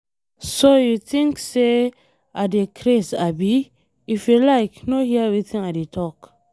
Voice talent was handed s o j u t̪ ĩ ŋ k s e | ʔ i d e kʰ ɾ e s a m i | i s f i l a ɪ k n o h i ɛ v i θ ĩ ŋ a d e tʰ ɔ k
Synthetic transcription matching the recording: s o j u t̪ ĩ ŋ k s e | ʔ a d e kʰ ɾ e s a b i | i f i l a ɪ k n o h i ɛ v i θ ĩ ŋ a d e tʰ ɔ k